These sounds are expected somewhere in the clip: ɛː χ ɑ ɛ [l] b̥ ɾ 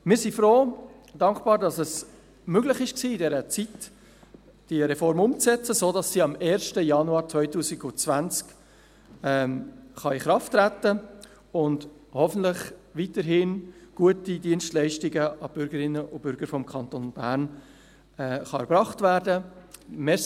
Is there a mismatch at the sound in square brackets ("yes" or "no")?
yes